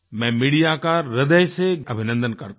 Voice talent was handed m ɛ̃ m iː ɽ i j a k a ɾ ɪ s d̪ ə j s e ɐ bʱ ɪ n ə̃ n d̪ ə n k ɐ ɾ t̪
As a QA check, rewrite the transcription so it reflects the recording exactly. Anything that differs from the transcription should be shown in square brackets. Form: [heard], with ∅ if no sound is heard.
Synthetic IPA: m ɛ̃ m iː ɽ i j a k a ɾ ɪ [∅] d̪ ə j s e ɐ bʱ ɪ n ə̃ n d̪ ə n k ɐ ɾ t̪